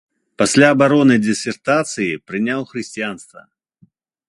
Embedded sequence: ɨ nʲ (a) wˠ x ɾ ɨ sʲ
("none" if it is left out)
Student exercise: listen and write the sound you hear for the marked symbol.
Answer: a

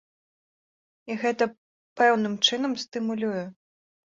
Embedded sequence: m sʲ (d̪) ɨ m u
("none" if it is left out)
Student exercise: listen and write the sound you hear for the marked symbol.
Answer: t̪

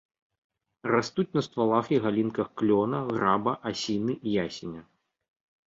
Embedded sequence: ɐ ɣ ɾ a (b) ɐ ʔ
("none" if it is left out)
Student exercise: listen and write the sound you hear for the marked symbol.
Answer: b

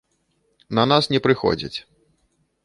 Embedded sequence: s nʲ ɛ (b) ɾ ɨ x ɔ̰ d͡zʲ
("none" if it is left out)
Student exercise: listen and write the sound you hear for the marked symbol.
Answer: p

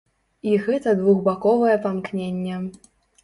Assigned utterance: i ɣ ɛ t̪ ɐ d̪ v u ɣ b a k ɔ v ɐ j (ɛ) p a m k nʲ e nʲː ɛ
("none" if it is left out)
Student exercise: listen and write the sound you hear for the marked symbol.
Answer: ɛ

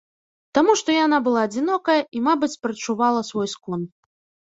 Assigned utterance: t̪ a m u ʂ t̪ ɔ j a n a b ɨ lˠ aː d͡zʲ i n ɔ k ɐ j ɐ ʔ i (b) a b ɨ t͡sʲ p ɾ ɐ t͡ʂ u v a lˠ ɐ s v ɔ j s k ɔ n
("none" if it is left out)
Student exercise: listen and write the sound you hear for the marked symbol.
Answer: m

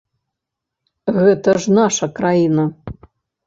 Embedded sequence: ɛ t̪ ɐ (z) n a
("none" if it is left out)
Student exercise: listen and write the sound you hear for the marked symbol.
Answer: ʐ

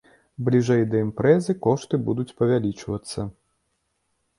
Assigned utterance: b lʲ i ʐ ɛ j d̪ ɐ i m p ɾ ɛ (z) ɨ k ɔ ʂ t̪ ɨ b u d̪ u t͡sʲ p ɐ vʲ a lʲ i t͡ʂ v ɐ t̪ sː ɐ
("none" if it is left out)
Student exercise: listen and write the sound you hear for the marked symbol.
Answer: z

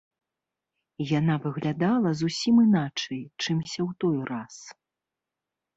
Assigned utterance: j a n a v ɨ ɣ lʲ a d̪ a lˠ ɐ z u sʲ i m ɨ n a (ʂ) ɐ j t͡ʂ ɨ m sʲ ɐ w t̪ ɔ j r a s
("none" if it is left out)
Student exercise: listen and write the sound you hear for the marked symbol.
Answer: t͡ʂ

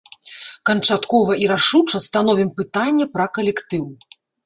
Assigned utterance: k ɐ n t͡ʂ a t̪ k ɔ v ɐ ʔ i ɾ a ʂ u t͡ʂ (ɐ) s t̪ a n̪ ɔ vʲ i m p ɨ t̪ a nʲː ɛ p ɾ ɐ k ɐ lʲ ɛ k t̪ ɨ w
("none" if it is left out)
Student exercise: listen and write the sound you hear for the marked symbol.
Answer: ɐ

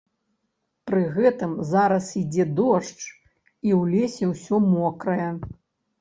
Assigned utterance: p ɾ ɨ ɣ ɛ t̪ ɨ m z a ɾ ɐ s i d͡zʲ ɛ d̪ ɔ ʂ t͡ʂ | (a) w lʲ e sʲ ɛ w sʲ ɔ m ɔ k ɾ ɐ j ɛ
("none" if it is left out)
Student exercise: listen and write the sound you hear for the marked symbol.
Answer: i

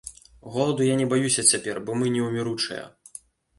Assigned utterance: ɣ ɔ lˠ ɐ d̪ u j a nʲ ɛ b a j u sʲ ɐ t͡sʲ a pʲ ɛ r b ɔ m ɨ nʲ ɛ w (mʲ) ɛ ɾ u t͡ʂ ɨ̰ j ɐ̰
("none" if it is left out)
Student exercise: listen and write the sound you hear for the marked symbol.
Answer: mʲ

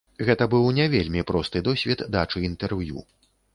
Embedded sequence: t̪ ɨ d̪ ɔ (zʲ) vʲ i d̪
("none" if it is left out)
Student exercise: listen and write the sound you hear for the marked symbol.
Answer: sʲ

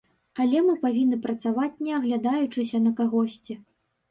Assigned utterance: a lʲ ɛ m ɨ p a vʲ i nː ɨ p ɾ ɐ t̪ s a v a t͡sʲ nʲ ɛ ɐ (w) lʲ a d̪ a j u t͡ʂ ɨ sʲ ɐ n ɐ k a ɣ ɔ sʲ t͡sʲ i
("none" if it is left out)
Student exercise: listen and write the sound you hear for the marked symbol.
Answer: ɣ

